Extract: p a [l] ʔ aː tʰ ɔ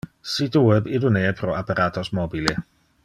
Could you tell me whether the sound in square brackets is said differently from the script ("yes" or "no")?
yes